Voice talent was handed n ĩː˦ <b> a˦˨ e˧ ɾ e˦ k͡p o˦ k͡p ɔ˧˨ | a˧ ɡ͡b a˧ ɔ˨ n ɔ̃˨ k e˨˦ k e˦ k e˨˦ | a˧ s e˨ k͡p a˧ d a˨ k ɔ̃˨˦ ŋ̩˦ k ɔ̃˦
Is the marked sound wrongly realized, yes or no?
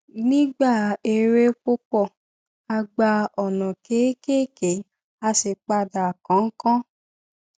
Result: yes